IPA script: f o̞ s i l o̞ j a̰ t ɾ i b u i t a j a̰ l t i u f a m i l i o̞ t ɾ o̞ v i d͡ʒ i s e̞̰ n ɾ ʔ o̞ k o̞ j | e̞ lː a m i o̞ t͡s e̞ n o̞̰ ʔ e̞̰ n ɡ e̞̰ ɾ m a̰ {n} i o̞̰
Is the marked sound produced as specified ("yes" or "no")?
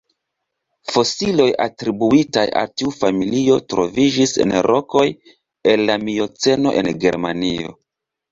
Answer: yes